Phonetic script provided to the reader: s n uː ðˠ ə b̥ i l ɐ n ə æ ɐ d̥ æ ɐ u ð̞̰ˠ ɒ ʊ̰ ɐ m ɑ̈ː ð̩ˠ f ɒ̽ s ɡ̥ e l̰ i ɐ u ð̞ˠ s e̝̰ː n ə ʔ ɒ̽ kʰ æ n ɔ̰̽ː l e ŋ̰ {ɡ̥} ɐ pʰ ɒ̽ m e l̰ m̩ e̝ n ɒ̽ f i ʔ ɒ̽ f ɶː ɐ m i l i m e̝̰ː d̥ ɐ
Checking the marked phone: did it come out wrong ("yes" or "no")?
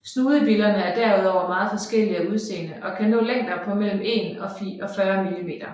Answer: yes